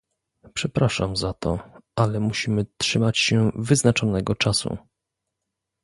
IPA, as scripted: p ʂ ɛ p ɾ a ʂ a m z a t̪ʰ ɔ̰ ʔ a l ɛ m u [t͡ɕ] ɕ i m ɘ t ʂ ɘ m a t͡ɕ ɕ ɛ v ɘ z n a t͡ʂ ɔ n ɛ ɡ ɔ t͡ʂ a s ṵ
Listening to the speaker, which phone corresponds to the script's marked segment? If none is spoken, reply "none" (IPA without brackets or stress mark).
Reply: none